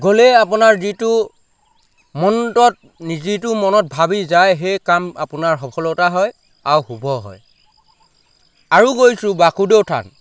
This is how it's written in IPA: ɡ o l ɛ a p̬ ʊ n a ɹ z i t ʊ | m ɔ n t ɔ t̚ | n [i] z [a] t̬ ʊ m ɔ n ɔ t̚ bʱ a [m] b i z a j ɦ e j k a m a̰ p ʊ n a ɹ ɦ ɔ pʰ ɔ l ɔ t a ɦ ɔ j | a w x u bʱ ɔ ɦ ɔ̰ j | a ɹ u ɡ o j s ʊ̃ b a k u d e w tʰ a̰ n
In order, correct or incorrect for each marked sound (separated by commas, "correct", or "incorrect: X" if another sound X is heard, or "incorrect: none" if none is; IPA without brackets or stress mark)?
correct, incorrect: i, incorrect: none